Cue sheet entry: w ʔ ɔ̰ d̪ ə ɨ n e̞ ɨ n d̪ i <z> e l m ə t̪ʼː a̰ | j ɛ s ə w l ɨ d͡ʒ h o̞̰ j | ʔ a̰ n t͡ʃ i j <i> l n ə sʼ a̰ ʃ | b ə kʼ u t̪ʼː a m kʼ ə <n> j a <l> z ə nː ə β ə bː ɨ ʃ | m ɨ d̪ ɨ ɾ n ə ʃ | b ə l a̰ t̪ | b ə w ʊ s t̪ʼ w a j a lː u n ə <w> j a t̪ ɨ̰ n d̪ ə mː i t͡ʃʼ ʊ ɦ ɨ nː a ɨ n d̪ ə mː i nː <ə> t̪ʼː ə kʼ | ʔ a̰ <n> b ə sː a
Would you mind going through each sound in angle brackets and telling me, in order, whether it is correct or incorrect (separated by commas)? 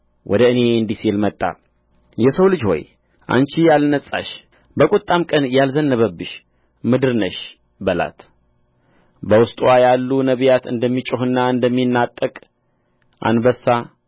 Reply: incorrect, incorrect, correct, correct, incorrect, incorrect, correct